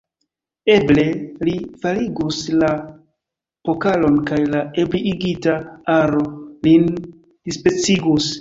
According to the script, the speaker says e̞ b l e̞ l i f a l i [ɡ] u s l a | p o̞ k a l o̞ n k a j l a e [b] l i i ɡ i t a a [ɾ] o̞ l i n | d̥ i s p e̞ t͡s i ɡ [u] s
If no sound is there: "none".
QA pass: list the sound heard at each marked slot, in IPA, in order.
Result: ɡ, b, ɾ, u

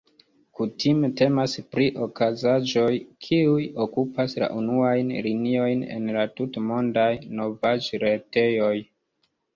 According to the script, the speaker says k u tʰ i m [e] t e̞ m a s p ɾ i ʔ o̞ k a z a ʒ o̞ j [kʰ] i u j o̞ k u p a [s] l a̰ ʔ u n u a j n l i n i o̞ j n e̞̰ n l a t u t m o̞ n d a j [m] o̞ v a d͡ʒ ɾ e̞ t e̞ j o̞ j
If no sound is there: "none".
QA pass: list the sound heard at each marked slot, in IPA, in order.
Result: e, kʰ, s, n

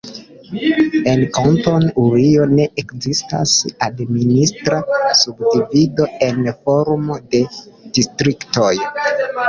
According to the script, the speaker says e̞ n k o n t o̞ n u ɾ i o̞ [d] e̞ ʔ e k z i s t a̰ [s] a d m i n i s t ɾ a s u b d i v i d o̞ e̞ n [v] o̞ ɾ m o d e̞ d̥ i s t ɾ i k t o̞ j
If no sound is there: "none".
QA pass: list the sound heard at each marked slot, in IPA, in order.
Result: n, s, f

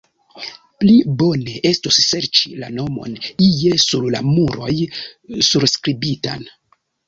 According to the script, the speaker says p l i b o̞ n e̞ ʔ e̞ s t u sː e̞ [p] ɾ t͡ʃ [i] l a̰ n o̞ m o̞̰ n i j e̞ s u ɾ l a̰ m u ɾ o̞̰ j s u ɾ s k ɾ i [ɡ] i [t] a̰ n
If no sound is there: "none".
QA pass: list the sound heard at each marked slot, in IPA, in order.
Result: none, i, b, t

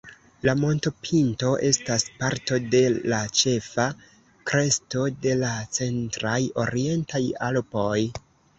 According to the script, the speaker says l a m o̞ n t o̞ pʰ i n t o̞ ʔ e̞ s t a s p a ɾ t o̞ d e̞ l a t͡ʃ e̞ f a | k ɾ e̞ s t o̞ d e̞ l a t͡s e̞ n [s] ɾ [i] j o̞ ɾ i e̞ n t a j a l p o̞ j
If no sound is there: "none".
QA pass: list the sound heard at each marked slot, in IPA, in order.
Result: t, a

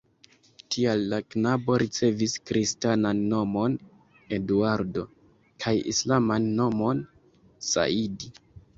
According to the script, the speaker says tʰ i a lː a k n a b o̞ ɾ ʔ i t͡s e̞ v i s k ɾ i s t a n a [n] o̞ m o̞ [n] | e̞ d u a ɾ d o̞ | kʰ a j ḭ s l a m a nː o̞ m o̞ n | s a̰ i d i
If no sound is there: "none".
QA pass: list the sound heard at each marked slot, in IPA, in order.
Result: nː, n

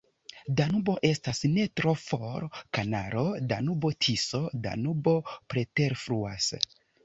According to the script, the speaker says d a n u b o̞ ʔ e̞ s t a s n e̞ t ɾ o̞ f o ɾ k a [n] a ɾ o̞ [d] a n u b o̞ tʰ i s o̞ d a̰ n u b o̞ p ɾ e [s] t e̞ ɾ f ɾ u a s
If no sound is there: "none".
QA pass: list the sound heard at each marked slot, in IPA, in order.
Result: n, d, none

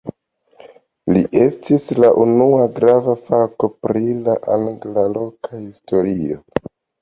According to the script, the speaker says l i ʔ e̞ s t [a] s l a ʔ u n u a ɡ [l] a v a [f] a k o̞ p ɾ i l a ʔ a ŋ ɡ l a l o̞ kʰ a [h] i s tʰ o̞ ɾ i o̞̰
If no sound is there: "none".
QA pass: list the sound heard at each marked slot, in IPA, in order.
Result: i, ɾ, f, h

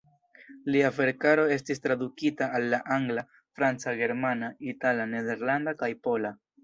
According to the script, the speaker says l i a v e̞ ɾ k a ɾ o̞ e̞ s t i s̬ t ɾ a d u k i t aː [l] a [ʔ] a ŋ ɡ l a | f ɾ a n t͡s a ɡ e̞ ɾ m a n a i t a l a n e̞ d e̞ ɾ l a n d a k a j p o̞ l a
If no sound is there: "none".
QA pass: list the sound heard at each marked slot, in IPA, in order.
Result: lː, ʔ

